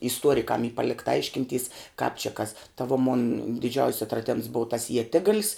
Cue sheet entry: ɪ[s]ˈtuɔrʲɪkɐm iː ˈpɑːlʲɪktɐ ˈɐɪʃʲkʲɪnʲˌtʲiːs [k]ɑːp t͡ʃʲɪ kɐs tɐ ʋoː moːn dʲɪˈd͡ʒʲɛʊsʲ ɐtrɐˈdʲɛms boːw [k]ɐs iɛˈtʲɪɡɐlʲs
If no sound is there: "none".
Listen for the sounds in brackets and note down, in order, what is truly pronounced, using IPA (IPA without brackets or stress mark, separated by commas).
s, k, t